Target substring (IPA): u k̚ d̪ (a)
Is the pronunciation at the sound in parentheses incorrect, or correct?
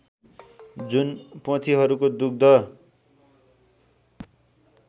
incorrect